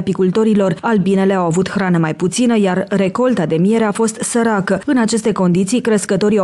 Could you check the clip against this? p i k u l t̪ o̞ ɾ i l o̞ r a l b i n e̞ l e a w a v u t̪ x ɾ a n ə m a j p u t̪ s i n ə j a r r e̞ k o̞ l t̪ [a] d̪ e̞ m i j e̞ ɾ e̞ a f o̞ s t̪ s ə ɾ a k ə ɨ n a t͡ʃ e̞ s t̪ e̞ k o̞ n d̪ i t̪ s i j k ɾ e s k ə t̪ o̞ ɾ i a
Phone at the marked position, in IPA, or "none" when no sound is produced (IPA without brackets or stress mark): a